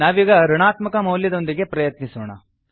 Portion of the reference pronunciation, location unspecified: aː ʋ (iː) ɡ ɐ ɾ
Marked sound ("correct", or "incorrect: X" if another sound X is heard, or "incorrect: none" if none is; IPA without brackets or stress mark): correct